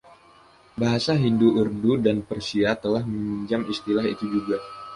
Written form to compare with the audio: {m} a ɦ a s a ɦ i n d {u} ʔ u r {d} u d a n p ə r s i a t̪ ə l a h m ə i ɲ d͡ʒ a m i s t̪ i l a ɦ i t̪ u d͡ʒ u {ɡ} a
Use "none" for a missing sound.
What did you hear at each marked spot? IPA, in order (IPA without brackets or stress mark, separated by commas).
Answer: b, u, d, ɡ